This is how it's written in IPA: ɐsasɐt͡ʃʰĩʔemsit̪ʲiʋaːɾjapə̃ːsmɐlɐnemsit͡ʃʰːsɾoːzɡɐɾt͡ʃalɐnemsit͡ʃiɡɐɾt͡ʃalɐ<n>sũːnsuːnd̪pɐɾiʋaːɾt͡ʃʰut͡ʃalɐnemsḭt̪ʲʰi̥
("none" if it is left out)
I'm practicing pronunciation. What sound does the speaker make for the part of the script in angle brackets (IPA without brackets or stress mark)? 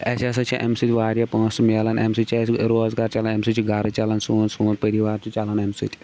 n